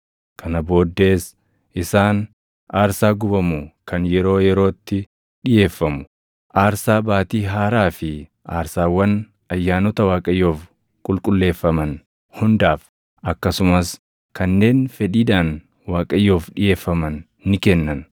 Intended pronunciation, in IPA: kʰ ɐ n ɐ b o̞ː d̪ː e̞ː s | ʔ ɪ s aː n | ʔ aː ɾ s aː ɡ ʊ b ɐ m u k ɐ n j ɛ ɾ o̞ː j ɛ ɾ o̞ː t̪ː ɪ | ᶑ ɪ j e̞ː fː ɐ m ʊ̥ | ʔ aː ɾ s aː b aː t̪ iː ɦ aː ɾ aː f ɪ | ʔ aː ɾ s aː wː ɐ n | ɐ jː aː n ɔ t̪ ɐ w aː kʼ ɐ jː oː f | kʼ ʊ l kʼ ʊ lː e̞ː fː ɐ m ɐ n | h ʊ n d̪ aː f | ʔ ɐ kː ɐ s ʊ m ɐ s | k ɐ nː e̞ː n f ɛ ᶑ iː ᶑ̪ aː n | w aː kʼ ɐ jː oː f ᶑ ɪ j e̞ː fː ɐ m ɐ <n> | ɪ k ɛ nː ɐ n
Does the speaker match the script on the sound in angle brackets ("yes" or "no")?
no